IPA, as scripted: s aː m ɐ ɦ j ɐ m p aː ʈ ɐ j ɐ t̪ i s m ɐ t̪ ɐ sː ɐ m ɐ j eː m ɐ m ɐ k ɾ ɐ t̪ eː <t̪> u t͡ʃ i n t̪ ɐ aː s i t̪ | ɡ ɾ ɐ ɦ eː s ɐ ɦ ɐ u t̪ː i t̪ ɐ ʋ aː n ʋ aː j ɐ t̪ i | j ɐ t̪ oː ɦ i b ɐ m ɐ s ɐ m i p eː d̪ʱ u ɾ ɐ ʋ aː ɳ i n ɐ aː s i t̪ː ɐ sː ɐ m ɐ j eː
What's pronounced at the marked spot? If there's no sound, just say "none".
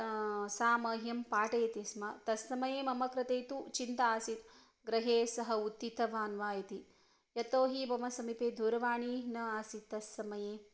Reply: t̪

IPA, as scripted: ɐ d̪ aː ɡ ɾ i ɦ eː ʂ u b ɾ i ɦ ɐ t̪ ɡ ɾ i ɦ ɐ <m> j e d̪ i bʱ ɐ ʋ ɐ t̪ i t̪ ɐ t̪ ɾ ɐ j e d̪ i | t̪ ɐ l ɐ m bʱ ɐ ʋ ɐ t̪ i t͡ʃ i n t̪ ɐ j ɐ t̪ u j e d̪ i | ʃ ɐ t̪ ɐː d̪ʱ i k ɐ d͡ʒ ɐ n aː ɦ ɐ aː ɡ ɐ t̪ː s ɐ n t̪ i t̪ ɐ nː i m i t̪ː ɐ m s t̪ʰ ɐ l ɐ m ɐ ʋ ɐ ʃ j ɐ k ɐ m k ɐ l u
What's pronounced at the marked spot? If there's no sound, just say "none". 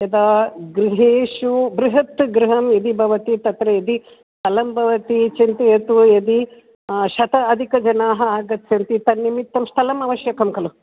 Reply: m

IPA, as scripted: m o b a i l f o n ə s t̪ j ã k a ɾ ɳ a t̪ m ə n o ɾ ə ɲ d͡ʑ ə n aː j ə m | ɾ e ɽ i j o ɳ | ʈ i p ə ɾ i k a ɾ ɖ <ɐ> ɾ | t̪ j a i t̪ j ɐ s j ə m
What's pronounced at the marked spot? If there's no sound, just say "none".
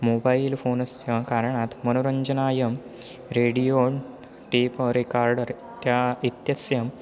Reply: ə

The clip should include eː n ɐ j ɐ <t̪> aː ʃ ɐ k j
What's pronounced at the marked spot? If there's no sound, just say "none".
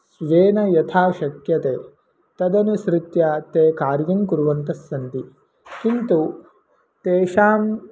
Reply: t̪ʰ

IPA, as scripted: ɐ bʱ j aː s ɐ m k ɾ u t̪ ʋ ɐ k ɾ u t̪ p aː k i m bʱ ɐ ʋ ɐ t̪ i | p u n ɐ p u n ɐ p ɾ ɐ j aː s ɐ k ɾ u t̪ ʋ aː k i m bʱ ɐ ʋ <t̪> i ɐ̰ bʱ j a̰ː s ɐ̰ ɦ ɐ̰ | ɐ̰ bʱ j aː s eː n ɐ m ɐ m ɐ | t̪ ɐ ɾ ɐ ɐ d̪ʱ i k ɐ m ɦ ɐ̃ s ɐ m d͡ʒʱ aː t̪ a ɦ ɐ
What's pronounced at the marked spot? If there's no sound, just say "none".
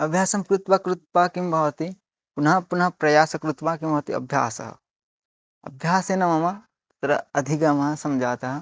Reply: t̪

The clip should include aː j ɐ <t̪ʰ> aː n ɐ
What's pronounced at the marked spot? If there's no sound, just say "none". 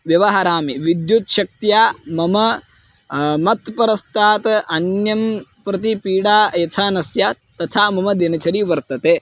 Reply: t̪ʰ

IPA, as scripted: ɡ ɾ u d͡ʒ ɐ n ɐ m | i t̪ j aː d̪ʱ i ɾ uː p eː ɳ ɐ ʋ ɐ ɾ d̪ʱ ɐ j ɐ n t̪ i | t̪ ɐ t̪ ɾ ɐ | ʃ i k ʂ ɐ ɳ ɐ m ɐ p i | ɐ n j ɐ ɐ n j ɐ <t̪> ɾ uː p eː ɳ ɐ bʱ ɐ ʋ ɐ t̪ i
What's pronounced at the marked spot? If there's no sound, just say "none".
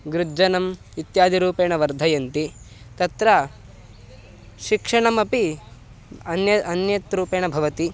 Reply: t̪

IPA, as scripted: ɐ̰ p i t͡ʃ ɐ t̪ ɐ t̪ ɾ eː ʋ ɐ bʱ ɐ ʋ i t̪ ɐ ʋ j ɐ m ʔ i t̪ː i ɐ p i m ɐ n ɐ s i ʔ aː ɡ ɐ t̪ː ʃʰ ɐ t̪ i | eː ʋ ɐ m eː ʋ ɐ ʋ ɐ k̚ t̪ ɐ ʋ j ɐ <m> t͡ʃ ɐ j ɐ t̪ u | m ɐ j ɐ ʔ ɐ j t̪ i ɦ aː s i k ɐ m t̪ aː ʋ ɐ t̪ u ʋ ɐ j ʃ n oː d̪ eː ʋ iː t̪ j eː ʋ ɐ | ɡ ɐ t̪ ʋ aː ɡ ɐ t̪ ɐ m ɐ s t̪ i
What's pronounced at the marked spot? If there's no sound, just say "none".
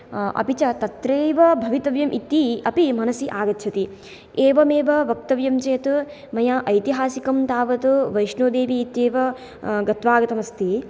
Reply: m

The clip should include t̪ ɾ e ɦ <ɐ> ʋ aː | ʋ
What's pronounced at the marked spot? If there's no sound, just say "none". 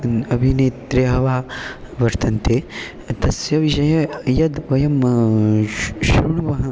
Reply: ɐ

